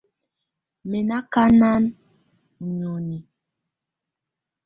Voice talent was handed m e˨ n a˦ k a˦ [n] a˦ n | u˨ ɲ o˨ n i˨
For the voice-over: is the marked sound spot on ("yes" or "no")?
yes